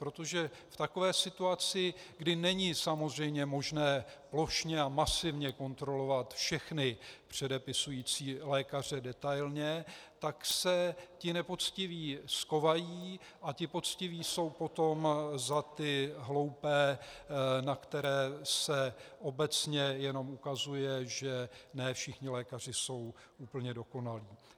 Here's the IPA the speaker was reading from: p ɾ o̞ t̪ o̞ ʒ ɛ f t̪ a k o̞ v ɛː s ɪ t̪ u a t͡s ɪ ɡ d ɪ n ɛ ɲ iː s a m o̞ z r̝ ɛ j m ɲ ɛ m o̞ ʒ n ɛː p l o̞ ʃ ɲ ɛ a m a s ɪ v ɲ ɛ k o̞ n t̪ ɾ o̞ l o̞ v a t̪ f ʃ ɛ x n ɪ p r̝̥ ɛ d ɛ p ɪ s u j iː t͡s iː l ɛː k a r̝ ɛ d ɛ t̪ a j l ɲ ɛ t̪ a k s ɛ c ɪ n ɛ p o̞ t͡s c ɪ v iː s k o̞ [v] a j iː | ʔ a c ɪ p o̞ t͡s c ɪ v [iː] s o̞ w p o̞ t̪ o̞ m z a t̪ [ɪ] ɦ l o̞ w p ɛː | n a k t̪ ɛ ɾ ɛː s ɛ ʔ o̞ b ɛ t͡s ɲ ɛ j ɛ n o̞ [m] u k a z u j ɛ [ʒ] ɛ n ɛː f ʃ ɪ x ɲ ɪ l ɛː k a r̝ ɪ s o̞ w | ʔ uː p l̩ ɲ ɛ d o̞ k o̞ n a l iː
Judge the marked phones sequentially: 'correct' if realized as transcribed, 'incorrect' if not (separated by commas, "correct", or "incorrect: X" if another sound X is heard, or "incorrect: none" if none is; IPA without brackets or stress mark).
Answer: correct, correct, correct, correct, correct